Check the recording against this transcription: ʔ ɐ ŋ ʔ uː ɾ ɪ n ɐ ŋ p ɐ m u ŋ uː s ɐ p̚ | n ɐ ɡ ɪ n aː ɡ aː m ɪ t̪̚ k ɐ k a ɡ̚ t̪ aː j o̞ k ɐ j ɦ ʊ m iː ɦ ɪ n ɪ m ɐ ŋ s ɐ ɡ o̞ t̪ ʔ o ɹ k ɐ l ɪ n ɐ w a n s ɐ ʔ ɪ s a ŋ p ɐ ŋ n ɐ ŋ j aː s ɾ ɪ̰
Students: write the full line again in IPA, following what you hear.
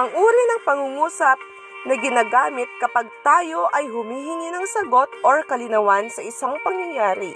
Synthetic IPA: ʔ ɐ ŋ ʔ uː ɾ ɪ n ɐ ŋ p ɐ ŋ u ŋ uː s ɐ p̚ | n ɐ ɡ ɪ n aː ɡ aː m ɪ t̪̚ k ɐ p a ɡ̚ t̪ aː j o̞ ʔ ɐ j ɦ ʊ m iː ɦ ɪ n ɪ n ɐ ŋ s ɐ ɡ o̞ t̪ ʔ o ɹ k ɐ l ɪ n ɐ w a n s ɐ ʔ ɪ s a ŋ p ɐ ŋ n ɐ ŋ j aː ɾ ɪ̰